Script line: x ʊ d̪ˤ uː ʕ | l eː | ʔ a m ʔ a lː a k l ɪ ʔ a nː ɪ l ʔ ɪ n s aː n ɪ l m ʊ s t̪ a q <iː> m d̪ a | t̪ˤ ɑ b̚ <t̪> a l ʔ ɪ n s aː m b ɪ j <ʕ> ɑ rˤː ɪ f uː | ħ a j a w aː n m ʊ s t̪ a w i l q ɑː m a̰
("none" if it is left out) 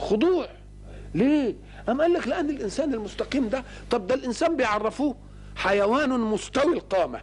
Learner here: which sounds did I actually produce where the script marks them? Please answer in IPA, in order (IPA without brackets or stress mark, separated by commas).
iː, d̪, ʕ